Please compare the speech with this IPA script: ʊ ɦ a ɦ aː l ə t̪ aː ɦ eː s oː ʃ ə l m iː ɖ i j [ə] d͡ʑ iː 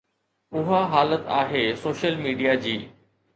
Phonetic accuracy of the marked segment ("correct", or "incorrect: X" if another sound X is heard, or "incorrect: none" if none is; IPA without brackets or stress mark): incorrect: a